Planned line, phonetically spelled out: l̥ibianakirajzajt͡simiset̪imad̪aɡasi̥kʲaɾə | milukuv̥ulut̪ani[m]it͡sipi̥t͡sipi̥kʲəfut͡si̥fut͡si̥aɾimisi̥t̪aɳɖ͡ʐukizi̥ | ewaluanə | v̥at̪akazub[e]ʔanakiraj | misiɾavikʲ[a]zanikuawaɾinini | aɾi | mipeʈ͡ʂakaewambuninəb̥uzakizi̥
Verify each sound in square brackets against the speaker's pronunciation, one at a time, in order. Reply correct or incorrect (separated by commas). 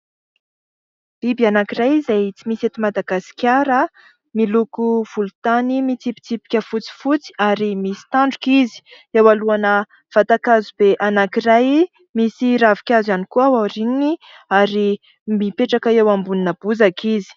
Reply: correct, correct, correct